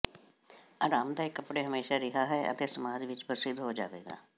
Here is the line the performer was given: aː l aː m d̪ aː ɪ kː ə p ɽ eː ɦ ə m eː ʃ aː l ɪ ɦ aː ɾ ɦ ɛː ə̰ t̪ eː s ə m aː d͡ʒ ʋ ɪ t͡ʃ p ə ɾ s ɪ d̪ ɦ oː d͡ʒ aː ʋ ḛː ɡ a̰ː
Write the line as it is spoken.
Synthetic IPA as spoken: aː ɾ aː m d̪ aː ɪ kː ə p ɽ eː ɦ ə m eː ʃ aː ɾ ɪ ɦ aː ɦ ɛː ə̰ t̪ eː s ə m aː d͡ʒ ʋ ɪ t͡ʃ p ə ɾ s ɪ d̪ ɦ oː d͡ʒ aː ʋ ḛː ɡ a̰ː